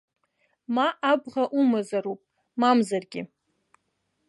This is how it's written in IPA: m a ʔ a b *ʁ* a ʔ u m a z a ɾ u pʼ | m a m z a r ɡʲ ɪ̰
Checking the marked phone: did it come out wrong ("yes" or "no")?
no